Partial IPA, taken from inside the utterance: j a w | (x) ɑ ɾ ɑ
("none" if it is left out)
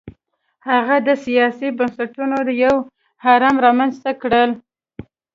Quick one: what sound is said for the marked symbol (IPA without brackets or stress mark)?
h